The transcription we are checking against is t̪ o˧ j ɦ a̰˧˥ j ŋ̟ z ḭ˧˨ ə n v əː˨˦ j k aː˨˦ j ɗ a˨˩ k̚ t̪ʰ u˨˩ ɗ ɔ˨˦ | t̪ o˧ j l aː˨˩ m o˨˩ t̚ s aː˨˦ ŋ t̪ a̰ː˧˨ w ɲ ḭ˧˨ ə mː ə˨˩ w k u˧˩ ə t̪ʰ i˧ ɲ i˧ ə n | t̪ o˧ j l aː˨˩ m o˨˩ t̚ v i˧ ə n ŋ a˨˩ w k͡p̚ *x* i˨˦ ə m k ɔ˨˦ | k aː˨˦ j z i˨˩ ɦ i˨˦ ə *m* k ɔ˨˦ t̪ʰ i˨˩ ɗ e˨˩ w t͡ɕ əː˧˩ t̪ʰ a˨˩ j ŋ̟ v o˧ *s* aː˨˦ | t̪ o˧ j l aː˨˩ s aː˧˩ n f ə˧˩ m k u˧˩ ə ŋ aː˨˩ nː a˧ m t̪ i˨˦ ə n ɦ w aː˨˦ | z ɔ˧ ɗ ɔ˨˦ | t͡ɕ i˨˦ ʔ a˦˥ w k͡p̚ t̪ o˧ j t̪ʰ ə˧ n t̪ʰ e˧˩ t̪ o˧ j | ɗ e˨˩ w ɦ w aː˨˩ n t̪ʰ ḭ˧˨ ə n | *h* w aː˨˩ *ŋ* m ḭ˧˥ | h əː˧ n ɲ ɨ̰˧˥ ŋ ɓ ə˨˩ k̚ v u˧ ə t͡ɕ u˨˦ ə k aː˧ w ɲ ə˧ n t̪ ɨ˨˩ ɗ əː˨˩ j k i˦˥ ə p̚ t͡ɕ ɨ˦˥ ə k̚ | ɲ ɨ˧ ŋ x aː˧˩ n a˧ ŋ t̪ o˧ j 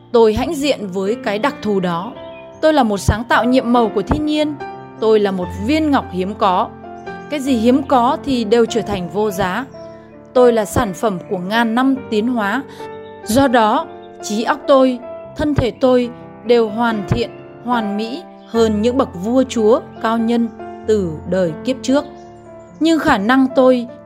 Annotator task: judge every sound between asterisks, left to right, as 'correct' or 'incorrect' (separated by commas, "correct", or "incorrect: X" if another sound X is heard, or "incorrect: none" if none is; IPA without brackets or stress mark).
incorrect: h, correct, incorrect: z, correct, incorrect: n